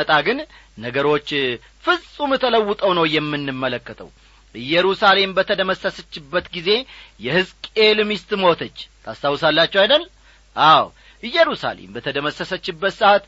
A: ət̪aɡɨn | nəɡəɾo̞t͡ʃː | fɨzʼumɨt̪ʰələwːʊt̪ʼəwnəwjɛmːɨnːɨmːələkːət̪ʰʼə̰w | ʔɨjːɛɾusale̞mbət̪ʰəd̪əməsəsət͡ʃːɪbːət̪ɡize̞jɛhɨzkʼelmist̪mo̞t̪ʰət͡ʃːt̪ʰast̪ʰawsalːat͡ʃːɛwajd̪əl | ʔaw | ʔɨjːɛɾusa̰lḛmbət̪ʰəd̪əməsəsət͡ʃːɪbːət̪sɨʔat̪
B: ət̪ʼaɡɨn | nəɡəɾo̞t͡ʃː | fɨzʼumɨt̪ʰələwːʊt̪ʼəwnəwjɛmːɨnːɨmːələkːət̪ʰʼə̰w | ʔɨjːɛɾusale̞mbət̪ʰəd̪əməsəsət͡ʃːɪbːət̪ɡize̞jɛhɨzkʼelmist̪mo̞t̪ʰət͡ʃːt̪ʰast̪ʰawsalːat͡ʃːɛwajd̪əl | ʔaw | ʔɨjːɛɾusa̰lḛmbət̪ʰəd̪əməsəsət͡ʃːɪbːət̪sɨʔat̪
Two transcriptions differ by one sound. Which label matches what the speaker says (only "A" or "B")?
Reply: B